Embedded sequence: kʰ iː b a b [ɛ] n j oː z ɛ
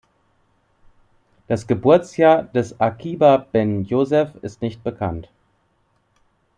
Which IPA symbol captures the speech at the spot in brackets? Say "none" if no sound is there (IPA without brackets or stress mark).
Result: ɛ